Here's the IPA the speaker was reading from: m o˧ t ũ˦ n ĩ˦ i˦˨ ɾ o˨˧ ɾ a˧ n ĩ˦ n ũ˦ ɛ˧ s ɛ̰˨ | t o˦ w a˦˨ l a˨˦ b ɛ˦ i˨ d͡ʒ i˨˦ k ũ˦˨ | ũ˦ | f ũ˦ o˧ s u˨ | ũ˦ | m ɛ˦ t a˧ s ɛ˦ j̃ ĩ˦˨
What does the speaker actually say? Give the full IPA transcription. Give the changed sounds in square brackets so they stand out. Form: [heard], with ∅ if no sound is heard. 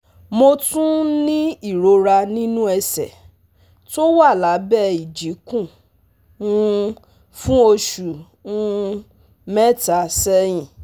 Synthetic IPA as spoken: m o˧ t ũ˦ n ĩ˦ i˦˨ ɾ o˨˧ ɾ a˧ n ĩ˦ n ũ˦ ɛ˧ s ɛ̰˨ | t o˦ w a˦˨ l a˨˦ b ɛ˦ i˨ d͡ʒ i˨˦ k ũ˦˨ | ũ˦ | f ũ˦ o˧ [ʃ] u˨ | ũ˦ | m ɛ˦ t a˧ s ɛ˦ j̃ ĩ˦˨